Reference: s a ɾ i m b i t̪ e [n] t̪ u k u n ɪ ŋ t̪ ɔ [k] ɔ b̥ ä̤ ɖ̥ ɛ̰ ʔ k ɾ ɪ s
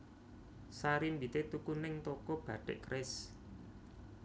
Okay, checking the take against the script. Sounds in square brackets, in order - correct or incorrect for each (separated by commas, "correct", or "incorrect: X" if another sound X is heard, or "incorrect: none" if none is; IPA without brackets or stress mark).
incorrect: none, correct